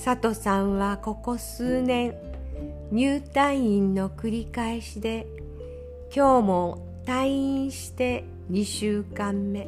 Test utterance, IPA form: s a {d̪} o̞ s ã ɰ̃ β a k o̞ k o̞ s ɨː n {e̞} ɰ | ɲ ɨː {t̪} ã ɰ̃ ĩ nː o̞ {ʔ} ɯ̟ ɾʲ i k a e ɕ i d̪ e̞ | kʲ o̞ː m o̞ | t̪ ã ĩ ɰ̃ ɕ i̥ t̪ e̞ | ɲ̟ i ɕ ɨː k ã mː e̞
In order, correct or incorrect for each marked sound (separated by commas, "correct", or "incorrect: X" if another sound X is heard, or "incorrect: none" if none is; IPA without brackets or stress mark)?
incorrect: t̪, incorrect: ẽ̞, correct, incorrect: k